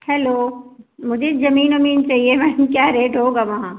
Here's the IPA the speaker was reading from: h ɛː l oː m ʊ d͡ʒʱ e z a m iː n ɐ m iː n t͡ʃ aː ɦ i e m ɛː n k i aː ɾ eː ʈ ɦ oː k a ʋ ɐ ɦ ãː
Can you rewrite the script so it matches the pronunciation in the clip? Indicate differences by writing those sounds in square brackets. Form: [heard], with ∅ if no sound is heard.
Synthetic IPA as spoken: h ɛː l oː m ʊ d͡ʒʱ e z [ɐ] m iː n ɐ m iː n t͡ʃ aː ɦ i e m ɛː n k [j] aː ɾ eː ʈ ɦ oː [ɡ] a ʋ ɐ ɦ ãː